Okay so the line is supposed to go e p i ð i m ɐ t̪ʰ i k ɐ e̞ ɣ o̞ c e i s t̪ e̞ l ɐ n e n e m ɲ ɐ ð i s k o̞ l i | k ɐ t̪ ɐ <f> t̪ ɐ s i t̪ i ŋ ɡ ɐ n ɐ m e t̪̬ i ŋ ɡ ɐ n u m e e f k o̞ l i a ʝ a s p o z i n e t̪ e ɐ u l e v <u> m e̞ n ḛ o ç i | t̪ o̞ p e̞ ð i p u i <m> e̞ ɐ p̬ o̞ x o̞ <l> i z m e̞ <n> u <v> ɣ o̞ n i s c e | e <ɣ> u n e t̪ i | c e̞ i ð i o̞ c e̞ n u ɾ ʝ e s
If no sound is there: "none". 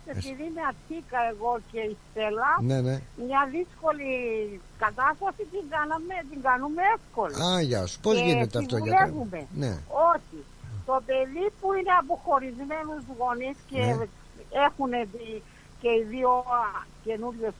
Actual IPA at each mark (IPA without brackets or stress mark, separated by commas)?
s, u, n, ɾ, n, z, x